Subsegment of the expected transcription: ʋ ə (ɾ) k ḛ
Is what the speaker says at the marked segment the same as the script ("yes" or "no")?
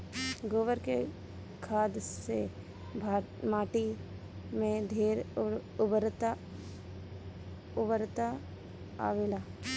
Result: yes